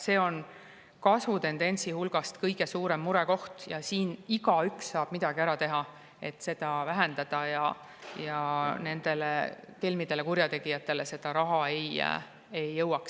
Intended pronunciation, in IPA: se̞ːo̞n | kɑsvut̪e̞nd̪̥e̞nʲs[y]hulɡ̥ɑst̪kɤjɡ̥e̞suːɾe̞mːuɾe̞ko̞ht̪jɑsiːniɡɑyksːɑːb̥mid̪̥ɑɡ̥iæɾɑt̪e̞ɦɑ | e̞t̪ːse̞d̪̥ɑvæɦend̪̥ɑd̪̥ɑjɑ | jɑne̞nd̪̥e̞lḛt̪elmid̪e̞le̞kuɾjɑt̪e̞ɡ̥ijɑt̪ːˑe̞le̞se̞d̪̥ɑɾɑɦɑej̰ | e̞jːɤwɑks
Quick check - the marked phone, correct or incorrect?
incorrect